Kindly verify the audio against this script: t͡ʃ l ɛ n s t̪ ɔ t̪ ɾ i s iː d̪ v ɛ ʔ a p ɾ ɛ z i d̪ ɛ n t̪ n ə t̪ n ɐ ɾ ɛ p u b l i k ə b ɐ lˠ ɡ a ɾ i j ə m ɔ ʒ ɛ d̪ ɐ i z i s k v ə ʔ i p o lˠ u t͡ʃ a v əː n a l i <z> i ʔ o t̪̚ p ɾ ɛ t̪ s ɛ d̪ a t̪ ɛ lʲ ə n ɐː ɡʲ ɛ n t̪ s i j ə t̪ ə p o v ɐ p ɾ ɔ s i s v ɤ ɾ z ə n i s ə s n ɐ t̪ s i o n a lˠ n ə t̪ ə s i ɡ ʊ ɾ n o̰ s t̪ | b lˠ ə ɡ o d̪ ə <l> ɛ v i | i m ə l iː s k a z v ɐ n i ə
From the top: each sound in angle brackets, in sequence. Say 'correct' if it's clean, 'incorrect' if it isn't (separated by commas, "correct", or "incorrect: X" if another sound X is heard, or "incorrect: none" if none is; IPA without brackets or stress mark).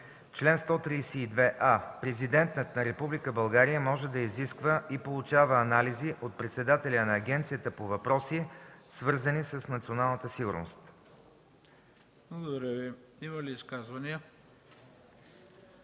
correct, incorrect: ɾ